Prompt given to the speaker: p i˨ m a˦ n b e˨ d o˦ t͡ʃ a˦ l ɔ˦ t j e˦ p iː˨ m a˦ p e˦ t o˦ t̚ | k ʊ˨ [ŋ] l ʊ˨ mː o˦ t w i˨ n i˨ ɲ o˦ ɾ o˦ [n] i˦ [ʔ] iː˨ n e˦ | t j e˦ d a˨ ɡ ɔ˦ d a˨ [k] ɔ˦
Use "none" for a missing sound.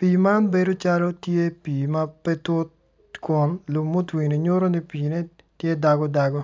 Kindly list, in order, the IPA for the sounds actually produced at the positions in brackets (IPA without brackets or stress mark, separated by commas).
n, n, p, ɡ